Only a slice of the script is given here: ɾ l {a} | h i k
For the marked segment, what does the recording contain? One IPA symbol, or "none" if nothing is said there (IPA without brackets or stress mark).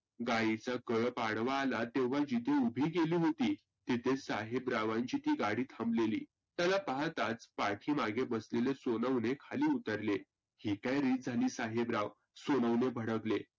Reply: e